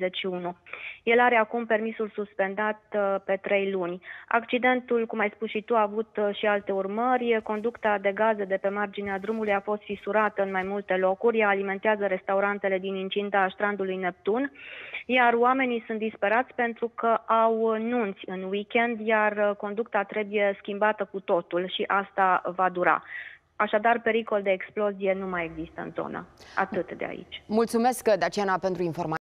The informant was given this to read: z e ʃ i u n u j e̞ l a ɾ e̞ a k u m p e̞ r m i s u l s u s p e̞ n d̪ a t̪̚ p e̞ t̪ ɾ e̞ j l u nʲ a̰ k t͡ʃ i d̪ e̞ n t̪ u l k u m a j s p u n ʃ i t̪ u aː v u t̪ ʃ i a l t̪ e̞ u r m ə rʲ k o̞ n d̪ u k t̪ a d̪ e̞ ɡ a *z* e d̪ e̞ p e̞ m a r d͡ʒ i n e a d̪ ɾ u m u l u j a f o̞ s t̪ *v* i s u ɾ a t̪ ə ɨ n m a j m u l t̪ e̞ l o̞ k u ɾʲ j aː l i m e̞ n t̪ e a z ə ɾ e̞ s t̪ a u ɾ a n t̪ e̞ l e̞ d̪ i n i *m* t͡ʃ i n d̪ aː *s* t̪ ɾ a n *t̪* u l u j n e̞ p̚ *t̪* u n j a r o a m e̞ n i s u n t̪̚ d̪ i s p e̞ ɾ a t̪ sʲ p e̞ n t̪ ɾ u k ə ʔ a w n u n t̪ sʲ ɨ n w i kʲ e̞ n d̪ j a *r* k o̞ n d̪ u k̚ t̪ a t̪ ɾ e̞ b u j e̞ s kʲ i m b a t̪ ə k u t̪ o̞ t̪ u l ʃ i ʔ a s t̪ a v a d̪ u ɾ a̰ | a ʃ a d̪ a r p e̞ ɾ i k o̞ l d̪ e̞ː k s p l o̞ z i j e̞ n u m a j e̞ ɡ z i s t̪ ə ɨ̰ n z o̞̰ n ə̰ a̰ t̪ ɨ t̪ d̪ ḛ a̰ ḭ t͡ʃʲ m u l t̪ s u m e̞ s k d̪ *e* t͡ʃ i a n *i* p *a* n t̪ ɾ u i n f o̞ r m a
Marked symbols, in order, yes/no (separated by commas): yes, no, no, no, no, yes, yes, no, no, no